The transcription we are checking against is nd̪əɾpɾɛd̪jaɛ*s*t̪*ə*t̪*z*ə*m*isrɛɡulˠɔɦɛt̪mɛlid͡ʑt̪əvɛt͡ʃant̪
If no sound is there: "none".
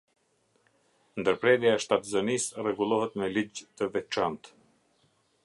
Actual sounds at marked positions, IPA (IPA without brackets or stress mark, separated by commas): ʃ, a, z, n